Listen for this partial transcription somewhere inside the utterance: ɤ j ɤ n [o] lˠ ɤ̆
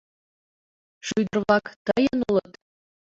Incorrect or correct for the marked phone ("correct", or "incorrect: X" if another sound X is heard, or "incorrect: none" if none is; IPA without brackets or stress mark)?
incorrect: u